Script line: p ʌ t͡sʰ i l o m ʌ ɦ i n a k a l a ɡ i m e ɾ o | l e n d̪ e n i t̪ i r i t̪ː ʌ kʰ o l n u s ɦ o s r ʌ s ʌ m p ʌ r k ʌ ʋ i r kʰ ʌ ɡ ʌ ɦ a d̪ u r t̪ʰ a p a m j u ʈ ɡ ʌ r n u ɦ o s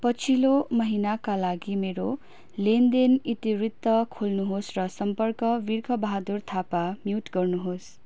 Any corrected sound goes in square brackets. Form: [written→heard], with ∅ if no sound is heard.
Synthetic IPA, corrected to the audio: p ʌ t͡sʰ i l o m ʌ ɦ i n a k a l a ɡ i m e ɾ o | l e n d̪ e n i t̪ i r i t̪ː ʌ kʰ o l n u [s→∅] ɦ o s r ʌ s ʌ m p ʌ r k ʌ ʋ i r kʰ ʌ [ɡ→b] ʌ ɦ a d̪ u r t̪ʰ a p a m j u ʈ ɡ ʌ r n u ɦ o s